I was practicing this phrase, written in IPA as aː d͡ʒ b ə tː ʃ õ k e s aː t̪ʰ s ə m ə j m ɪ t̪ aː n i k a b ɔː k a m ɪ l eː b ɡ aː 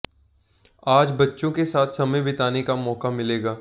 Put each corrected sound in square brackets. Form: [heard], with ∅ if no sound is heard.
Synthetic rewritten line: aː d͡ʒ b [ɐ] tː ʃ õ k e s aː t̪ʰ s [ɐ] m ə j [b] ɪ t̪ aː n [e] k a [m] ɔː k a m ɪ l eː [∅] ɡ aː